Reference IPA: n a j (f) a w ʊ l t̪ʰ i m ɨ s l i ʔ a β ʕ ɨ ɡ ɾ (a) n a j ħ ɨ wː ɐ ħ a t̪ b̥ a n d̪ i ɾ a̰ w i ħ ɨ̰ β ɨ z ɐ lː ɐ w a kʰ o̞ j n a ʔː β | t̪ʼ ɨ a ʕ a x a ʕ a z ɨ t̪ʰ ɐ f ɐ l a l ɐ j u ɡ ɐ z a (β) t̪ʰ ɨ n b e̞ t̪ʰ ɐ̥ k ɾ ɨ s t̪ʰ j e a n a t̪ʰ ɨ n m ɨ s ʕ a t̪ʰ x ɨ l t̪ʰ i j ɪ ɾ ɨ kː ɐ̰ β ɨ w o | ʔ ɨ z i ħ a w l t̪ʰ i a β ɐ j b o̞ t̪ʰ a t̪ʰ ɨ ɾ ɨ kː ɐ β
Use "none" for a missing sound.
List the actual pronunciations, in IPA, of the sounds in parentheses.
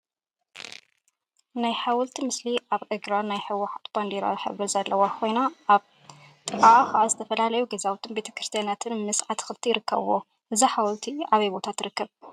ħ, a, w

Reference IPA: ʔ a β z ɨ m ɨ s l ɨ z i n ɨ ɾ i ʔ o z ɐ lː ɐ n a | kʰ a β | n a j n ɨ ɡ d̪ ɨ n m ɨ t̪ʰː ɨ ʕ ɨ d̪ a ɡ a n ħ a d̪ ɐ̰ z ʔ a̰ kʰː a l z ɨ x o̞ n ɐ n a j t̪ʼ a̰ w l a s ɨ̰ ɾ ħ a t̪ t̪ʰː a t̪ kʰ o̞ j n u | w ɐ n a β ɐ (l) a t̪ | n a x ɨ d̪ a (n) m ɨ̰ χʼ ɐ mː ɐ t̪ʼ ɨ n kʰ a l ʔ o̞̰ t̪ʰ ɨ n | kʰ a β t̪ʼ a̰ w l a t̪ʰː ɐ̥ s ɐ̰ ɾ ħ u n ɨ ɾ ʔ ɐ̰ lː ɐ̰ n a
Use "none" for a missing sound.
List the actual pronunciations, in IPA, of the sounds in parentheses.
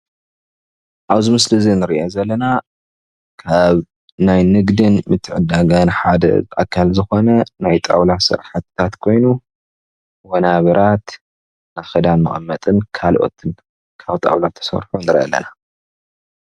ɾ, n

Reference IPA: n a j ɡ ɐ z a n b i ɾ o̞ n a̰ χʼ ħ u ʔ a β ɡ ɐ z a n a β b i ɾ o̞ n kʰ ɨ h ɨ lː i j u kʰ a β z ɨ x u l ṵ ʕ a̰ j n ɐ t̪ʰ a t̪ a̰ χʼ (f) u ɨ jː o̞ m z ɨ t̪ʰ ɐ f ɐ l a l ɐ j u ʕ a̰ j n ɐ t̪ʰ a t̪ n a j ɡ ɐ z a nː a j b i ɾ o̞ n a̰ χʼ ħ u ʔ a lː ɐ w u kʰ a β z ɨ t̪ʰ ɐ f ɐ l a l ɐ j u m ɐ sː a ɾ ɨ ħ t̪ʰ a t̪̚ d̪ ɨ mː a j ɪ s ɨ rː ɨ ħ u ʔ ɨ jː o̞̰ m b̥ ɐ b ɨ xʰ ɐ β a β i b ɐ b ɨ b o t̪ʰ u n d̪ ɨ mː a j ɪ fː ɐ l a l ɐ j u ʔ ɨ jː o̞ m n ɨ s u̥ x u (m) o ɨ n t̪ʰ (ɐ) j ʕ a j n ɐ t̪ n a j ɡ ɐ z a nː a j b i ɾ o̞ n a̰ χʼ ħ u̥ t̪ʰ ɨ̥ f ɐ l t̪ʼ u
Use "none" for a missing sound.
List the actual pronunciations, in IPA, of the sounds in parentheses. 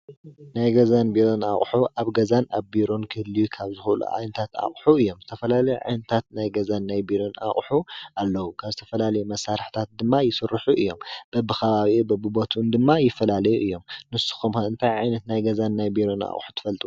ħ, m, a

